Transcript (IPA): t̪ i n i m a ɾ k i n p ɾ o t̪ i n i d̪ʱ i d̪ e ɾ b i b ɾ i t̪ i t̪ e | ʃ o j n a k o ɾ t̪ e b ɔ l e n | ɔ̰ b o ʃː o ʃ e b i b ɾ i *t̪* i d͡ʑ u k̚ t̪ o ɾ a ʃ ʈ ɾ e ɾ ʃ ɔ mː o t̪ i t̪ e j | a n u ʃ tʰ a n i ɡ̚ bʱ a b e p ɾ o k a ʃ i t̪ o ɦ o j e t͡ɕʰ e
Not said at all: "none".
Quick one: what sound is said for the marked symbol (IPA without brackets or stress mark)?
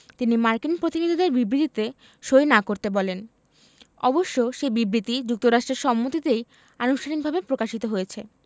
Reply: t̪